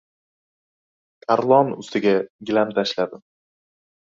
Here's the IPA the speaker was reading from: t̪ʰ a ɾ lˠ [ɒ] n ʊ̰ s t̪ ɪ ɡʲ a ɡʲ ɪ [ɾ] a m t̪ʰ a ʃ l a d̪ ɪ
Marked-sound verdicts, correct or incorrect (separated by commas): correct, incorrect